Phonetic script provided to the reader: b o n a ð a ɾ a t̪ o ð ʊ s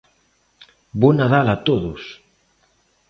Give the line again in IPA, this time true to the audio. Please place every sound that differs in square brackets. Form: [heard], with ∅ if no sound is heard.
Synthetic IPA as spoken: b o n a ð a [l] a t̪ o ð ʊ s